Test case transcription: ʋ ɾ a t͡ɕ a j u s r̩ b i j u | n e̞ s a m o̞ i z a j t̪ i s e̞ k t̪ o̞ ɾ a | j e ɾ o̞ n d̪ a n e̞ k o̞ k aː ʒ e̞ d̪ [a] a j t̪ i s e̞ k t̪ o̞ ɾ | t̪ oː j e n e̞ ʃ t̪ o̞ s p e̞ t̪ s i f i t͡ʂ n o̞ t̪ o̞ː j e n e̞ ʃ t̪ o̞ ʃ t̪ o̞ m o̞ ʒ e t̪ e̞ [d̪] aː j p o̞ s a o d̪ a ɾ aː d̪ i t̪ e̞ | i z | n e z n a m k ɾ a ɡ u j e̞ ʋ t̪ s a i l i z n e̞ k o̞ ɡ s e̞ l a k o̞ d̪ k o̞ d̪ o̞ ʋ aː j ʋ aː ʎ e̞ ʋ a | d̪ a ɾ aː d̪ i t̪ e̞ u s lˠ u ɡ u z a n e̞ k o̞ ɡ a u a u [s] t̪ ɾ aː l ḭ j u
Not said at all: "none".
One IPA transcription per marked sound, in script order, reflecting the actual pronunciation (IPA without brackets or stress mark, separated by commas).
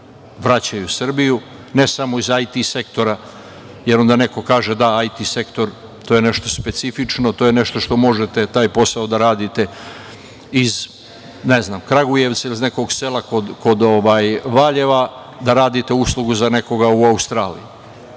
a, t̪, s